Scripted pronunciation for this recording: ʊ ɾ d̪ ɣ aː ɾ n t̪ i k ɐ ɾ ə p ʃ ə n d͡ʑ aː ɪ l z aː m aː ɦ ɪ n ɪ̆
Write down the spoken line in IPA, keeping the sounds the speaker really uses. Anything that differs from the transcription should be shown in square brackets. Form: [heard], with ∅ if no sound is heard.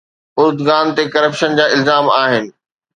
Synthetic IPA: ʊ ɾ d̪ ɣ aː [∅] n t̪ [e] k ɐ ɾ ə p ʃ ə n d͡ʑ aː ɪ l z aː m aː ɦ ɪ n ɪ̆